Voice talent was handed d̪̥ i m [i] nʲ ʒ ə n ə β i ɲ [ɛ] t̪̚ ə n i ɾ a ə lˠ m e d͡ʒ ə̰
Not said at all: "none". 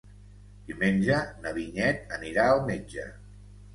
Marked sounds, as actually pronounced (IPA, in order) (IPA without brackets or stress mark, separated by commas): e, ɛ